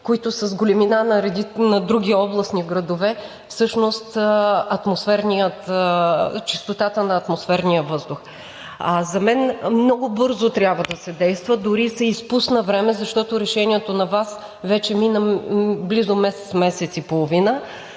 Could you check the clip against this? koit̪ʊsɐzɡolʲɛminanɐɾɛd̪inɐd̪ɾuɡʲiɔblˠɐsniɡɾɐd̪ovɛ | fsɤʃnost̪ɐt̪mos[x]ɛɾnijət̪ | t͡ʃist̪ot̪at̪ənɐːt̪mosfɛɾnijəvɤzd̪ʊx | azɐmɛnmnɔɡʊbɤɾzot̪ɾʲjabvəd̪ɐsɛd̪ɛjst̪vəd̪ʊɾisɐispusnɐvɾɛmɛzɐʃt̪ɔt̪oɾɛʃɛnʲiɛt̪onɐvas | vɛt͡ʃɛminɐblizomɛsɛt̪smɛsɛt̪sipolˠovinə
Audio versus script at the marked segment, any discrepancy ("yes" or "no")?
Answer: yes